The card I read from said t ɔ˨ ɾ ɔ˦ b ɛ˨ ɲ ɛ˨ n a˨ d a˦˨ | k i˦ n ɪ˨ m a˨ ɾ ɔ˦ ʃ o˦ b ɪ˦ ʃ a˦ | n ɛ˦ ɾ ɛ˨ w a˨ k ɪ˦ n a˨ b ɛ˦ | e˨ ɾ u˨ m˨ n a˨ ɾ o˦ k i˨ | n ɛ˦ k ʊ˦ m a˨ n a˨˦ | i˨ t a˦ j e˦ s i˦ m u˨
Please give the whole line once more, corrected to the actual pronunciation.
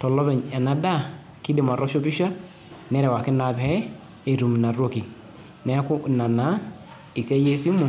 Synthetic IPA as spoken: t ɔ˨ l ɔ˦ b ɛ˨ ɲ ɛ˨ n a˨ d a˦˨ | k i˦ d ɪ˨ m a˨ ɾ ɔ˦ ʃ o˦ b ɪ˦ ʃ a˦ | n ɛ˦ ɾ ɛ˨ w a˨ k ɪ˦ n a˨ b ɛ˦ | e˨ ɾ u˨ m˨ n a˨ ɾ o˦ k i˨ | n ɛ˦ k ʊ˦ n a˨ n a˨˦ | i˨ s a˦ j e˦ s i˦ m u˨